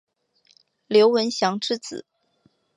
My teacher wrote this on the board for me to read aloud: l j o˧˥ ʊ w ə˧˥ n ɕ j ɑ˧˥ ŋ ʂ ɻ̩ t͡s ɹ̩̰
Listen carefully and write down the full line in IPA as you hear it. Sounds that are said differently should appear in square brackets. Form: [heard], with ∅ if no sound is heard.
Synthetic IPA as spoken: l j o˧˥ ʊ w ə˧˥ n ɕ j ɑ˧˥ ŋ [ʈ͡ʂ] ɻ̩ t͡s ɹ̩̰